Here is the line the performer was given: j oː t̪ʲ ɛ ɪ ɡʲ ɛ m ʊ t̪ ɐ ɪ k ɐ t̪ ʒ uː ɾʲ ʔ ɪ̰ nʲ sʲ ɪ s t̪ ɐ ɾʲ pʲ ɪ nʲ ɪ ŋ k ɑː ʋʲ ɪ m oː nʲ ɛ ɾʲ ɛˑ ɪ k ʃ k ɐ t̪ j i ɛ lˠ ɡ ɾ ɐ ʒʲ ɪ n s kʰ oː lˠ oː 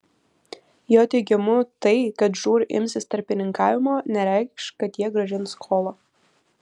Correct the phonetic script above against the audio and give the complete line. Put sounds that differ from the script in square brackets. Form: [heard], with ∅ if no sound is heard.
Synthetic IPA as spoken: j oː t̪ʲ ɛ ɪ ɡʲ ɛ m ʊ t̪ ɐ ɪ k ɐ t̪ ʒ uː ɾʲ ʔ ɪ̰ [mʲ] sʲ ɪ s t̪ ɐ ɾʲ pʲ ɪ nʲ ɪ ŋ k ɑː ʋʲ ɪ m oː nʲ ɛ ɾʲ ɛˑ ɪ k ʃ k ɐ t̪ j i ɛ [∅] ɡ ɾ ɐ ʒʲ ɪ n s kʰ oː lˠ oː